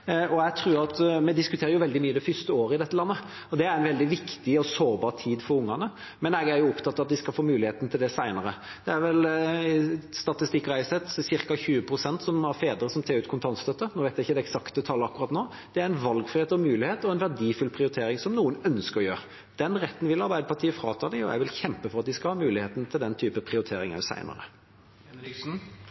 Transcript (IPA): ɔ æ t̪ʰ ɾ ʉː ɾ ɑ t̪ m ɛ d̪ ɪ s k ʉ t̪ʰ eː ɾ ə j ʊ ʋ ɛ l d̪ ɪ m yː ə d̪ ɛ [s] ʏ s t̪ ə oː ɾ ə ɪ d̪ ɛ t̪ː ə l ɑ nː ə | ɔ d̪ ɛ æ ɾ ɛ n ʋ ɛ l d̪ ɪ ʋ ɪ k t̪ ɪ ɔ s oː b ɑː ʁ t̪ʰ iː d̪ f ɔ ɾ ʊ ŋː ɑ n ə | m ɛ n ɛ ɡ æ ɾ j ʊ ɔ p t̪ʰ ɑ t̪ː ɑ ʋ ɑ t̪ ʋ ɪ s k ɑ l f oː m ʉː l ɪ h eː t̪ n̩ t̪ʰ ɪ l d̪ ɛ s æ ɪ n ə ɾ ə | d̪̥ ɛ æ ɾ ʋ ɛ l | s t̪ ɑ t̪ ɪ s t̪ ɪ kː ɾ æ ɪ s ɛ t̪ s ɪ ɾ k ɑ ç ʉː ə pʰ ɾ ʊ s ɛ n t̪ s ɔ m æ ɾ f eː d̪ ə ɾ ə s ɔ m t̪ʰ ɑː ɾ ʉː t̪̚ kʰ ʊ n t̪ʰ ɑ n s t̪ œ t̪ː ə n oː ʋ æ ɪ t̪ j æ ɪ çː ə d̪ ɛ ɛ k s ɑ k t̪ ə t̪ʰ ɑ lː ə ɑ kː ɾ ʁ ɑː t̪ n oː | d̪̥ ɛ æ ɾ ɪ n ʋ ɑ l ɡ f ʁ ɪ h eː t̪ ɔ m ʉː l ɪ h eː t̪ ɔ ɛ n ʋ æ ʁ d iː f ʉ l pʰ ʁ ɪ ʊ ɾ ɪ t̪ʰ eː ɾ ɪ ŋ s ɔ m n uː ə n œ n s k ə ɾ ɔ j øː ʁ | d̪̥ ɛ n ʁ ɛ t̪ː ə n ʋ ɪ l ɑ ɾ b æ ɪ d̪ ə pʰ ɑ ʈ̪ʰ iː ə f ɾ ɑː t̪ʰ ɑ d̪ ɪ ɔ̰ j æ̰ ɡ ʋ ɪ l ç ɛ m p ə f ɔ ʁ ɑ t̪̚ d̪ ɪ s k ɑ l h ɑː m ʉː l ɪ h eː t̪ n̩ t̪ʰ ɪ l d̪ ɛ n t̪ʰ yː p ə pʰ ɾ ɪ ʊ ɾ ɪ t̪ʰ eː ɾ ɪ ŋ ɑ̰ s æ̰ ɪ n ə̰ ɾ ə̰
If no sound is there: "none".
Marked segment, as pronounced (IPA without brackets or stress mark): f